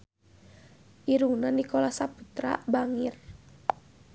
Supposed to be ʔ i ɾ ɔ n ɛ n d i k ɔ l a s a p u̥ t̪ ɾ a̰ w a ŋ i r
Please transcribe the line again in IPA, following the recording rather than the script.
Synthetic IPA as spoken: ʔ i ɾ u n a n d i k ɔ l a s a p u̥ t̪ ɾ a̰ b a ŋ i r

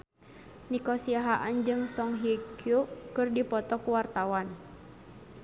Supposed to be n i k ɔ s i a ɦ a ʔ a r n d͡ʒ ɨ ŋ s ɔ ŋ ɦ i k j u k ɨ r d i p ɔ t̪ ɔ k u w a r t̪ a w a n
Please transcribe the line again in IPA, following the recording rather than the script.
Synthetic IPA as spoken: n i k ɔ s i a ɦ a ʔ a n d͡ʒ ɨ ŋ s ɔ ŋ ɦ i k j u k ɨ r d i p ɔ t̪ ɔ k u w a r t̪ a w a n

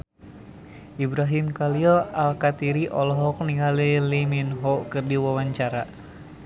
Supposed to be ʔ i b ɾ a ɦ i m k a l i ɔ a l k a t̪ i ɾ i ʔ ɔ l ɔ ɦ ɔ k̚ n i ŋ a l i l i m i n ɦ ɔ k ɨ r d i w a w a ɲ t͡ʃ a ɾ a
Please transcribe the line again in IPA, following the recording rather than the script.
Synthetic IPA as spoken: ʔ i b ɾ a ɦ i m k a l i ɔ a l k a t̪ i ɾ i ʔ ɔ l ɔ ɦ ɔ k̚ n i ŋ a l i l i m i n ɦ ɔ k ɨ r d i w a w a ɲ t͡ʃ a ɾ a

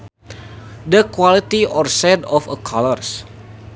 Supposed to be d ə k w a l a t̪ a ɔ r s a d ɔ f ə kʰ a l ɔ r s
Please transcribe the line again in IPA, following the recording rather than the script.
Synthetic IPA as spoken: d ə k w a l i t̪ i ɔ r s ɛ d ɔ f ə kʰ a l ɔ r s

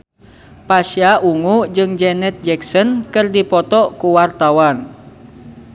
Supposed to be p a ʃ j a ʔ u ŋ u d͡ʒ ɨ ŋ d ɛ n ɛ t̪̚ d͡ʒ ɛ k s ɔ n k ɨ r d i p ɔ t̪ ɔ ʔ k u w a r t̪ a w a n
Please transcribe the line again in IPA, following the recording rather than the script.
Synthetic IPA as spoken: p a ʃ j a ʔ u ŋ u d͡ʒ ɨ ŋ d͡ʒ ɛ n ɛ t̪̚ d͡ʒ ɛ k s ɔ n k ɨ r d i p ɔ t̪ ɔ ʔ k u w a r t̪ a w a n

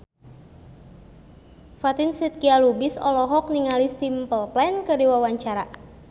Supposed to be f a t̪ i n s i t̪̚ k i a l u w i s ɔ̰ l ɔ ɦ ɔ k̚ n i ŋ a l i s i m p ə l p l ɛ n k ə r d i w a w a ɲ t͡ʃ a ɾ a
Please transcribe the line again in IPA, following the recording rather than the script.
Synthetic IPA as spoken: f a t̪ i n s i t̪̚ k i a l u b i s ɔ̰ l ɔ ɦ ɔ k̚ n i ŋ a l i s i m p ə l p l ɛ n k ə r d i w a w a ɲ t͡ʃ a ɾ a

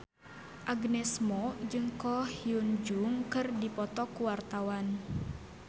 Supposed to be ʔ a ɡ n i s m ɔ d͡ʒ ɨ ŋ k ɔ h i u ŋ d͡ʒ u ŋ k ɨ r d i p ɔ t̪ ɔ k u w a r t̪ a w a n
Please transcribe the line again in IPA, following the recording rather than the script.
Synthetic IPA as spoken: ʔ a ɡ n ɛ s m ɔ d͡ʒ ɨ ŋ k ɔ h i u n d͡ʒ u ŋ k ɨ r d i p ɔ t̪ ɔ k u w a r t̪ a w a n

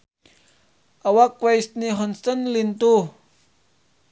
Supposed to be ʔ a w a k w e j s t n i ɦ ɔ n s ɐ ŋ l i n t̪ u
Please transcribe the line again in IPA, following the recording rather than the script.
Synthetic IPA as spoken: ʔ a w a k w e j s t n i ɦ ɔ n s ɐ n l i n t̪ u

